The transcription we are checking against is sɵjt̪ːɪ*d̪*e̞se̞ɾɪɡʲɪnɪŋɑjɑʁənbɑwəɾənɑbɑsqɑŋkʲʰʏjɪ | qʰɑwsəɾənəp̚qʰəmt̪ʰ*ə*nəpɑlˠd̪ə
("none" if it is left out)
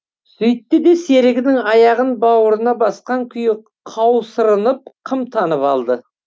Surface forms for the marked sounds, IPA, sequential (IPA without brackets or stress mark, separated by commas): d̪, ɑ